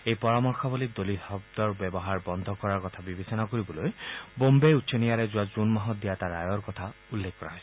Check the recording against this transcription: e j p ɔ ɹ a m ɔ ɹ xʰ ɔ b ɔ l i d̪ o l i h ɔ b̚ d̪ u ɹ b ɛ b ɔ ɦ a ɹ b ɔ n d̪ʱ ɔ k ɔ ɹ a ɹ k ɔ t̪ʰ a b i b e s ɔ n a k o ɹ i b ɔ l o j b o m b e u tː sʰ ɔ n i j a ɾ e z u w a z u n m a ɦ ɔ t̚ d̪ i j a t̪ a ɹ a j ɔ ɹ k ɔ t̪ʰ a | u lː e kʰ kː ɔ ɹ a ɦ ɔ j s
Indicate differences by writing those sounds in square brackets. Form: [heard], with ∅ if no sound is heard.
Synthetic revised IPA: e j p ɔ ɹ a m ɔ ɹ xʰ ɔ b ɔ l i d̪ o l i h ɔ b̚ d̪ [ɔ] ɹ b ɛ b ɔ ɦ a ɹ b ɔ n d̪ʱ ɔ k ɔ ɹ a ɹ k ɔ t̪ʰ a b i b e s ɔ n a k o ɹ i b ɔ l o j b o m b e u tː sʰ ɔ n i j a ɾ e z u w a z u n m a ɦ ɔ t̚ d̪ i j a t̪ a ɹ a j ɔ ɹ k ɔ t̪ʰ a | u lː e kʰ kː ɔ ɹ a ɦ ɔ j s